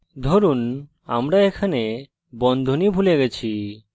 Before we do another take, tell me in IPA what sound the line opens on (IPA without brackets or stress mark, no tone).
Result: d̪ʱ